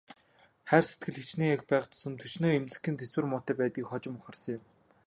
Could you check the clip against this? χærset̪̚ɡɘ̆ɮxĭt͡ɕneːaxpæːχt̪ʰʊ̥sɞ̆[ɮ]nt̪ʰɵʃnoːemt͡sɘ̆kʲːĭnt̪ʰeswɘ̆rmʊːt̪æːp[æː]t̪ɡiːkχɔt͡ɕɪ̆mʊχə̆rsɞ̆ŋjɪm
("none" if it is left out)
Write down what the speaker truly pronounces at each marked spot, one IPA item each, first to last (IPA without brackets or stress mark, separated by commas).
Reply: none, æː